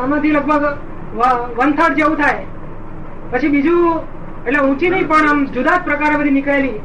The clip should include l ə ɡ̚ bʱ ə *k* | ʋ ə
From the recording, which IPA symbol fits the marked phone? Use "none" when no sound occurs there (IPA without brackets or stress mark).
ɡ